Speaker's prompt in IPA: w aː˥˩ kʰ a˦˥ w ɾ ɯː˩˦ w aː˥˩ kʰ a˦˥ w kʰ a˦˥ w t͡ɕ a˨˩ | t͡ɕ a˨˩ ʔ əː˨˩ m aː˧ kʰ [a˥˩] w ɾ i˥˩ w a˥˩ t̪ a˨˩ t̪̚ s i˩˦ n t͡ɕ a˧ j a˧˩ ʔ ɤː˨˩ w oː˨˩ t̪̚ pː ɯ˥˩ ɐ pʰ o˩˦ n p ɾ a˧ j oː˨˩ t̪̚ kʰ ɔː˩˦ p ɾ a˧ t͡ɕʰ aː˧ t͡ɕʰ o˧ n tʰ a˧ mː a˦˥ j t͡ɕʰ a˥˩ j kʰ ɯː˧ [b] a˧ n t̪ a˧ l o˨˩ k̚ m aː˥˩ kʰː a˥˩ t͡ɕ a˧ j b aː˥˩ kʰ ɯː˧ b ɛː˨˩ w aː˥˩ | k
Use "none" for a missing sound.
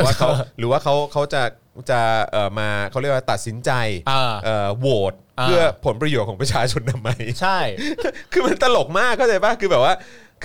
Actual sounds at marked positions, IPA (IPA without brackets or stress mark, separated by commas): a˦˥, m